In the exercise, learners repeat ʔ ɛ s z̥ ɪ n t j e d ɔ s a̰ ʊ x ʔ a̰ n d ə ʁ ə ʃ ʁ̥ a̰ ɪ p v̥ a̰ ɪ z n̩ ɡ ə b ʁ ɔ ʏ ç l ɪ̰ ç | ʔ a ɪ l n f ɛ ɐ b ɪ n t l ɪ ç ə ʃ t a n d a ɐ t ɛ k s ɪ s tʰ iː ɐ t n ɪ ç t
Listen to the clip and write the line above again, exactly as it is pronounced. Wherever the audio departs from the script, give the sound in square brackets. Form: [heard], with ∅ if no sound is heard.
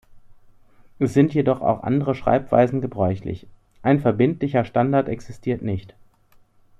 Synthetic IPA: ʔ ɛ s z̥ ɪ n t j e d ɔ [χ] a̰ ʊ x ʔ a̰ n d ə ʁ ə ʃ ʁ̥ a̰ ɪ p v̥ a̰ ɪ z n̩ ɡ ə b ʁ ɔ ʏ ç l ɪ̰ ç | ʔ a ɪ [∅] n f ɛ ɐ b ɪ n t l ɪ ç [ɐ] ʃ t a n d a ɐ t ɛ k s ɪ s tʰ iː ɐ t n ɪ ç t